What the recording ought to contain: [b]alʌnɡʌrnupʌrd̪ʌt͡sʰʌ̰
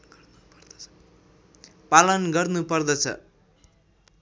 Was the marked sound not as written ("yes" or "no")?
yes